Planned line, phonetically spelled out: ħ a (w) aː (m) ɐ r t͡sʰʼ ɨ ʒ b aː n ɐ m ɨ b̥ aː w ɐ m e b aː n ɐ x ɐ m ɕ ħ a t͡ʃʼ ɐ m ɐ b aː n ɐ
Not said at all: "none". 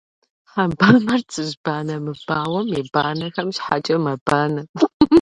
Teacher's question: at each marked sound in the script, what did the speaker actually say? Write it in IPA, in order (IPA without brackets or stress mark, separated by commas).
b, m